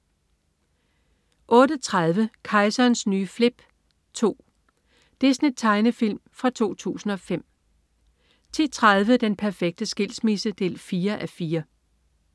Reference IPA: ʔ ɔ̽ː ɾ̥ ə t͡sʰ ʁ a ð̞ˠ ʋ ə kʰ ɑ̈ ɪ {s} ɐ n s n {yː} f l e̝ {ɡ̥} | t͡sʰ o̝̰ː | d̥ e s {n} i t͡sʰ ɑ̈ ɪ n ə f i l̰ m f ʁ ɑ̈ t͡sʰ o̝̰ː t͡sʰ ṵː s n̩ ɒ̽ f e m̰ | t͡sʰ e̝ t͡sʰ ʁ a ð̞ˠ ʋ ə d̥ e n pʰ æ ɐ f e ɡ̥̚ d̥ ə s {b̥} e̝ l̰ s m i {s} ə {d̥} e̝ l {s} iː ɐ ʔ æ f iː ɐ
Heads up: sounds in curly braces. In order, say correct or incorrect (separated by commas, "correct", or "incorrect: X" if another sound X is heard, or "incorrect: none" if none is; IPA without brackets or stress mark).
correct, correct, incorrect: b̥, correct, incorrect: ɡ̥, correct, correct, incorrect: f